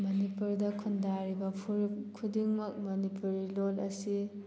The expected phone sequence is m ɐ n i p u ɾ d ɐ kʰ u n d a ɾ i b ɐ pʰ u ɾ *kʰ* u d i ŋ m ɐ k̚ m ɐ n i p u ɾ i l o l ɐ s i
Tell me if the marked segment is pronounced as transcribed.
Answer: yes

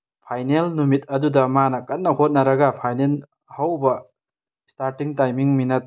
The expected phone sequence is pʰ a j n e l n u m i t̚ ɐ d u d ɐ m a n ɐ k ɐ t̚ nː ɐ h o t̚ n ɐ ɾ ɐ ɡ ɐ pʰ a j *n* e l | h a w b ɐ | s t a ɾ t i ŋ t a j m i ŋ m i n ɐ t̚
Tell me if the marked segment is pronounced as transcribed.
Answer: yes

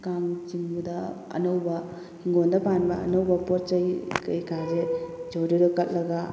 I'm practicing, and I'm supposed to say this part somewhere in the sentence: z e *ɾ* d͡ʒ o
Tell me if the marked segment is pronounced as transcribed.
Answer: no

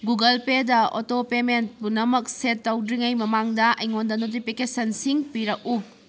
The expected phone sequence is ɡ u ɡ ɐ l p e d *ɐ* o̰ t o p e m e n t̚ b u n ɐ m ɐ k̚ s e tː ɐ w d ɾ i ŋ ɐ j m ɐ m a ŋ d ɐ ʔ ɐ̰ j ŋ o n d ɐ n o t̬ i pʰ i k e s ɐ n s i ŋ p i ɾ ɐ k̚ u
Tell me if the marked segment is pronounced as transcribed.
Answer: yes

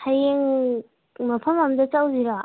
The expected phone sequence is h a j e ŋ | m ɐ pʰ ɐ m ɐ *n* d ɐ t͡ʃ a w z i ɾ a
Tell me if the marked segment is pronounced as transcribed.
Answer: no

